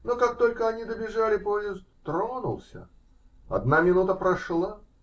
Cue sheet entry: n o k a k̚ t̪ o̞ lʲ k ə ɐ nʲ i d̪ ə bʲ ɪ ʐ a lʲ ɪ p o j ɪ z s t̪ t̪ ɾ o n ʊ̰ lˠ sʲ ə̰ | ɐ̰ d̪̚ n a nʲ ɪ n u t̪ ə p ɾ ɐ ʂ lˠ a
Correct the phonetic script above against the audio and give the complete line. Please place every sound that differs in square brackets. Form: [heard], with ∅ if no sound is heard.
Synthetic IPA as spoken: n o k a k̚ t̪ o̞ lʲ k ə ɐ nʲ i d̪ ə bʲ ɪ ʐ a lʲ ɪ p o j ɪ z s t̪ t̪ ɾ o n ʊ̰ lˠ sʲ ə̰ | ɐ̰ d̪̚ n a [mʲ] ɪ n u t̪ ə p ɾ ɐ ʂ lˠ a